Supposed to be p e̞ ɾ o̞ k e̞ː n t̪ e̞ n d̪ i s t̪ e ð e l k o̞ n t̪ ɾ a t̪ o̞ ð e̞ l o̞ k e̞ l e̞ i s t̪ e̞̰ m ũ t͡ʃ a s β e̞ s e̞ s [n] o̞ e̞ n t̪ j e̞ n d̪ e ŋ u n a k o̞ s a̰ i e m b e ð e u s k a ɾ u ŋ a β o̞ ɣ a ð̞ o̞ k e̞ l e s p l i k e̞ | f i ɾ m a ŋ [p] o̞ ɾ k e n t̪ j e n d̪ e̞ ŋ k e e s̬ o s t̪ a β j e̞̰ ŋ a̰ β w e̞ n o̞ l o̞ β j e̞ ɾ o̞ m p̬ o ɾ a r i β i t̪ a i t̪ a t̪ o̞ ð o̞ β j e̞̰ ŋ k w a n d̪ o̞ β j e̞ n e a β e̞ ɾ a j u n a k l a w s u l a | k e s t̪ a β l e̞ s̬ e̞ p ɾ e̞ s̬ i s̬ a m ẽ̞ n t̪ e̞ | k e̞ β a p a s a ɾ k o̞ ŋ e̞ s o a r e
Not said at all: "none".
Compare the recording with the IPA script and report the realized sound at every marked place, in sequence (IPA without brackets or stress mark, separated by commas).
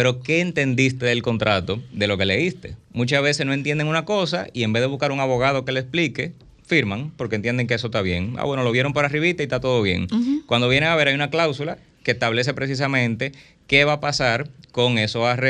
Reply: n, p